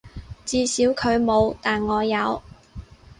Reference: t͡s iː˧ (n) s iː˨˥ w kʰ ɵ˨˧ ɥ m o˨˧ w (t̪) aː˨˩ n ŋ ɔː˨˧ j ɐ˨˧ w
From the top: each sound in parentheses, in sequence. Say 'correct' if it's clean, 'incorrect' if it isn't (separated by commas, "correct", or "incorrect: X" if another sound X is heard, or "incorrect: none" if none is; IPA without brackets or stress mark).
incorrect: none, correct